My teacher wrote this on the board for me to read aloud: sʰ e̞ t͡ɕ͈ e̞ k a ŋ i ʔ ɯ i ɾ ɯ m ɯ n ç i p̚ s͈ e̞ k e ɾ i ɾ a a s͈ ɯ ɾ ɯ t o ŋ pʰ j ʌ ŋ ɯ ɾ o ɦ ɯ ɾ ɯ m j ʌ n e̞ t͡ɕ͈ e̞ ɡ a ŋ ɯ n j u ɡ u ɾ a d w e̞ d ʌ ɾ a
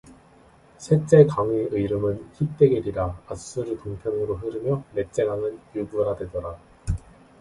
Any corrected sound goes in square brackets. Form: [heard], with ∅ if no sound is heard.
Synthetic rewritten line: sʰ e̞ t͡ɕ͈ e̞ k a ŋ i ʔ ɯ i ɾ ɯ m ɯ n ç i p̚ [t͈] e̞ [ɡ] e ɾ i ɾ a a s͈ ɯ ɾ ɯ t o ŋ pʰ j ʌ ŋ ɯ ɾ o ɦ ɯ ɾ ɯ m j ʌ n e̞ t͡ɕ͈ e̞ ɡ a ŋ ɯ n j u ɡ u ɾ a d w e̞ d ʌ ɾ a